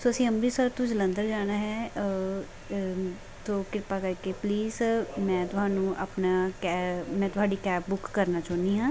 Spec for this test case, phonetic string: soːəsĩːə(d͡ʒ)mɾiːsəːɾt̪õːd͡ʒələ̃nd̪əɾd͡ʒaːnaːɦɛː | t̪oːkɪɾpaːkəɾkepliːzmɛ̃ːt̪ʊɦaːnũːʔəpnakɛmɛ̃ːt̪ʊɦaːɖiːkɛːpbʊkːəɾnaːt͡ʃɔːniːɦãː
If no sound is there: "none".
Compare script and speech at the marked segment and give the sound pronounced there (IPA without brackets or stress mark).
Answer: none